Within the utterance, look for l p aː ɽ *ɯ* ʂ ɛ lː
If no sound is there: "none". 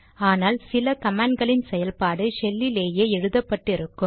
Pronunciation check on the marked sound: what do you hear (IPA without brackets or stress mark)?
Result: ɯ